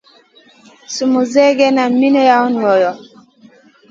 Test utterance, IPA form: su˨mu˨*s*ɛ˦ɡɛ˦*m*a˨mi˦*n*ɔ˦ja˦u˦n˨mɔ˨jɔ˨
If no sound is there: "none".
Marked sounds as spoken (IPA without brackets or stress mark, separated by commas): z, n, n